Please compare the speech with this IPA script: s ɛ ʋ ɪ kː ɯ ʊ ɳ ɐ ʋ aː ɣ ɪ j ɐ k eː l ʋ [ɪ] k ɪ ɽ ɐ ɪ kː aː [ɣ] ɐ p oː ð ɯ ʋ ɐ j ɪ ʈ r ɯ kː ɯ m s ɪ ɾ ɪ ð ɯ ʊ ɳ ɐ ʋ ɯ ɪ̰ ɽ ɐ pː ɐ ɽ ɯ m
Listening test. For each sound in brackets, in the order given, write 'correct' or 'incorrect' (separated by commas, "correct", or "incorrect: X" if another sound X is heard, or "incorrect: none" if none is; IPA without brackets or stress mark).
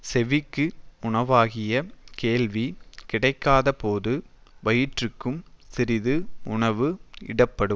incorrect: i, incorrect: ð